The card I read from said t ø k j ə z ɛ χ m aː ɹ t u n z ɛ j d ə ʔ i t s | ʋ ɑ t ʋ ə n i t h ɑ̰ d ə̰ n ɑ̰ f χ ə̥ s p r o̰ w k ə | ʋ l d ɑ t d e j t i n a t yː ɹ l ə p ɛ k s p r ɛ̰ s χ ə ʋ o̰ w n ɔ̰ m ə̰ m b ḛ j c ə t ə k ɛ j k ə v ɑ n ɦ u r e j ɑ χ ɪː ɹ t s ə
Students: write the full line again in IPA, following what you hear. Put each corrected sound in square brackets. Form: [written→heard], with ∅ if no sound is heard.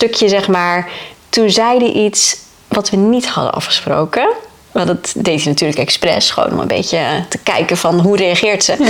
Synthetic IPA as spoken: t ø k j ə z ɛ χ m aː ɹ t u n z ɛ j d ə ʔ i t s | ʋ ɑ t ʋ ə n i t h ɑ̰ d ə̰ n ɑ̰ f χ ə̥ s p r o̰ w k ə | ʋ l d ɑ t d e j t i n a t yː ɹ l ə [p→k] ɛ k s p r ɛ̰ s χ ə ʋ o̰ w n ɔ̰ m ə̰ m b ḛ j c ə t ə k ɛ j k ə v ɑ n ɦ u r e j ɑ χ ɪː ɹ t s ə